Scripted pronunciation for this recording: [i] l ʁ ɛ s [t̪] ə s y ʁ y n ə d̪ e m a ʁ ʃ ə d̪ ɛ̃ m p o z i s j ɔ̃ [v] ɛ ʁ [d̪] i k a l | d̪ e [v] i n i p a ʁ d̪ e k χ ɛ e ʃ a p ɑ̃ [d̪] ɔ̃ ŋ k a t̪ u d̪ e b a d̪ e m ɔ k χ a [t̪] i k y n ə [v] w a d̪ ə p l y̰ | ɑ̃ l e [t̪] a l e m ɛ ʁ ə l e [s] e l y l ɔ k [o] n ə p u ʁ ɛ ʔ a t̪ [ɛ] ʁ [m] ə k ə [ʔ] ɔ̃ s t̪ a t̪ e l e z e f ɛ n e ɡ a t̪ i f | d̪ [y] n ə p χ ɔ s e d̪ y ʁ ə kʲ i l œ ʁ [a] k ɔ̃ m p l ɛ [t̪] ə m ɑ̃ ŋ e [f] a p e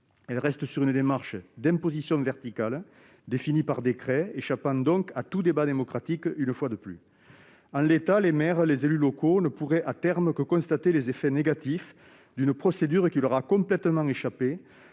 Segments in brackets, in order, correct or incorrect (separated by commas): incorrect, correct, correct, incorrect, incorrect, correct, correct, incorrect, correct, incorrect, correct, correct, correct, incorrect, correct, correct, correct, incorrect